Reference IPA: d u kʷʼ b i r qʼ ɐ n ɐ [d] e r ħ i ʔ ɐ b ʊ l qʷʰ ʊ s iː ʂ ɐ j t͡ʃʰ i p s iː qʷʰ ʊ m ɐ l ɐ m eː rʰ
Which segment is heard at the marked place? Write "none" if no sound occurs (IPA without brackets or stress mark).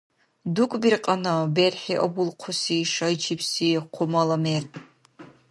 b